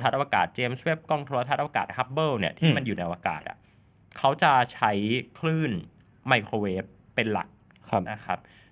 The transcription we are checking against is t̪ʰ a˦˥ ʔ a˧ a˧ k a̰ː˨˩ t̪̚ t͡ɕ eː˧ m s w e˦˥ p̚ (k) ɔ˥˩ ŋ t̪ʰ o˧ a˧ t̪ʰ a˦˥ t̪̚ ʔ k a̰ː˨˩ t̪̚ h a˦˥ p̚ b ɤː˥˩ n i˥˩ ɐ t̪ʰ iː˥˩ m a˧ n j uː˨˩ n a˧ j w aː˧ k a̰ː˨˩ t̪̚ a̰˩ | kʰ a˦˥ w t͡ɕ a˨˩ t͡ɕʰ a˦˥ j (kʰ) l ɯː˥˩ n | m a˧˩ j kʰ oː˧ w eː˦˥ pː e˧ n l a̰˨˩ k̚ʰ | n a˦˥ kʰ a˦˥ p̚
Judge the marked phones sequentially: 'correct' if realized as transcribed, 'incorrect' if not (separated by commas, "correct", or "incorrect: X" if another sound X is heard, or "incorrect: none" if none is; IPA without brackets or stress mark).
correct, correct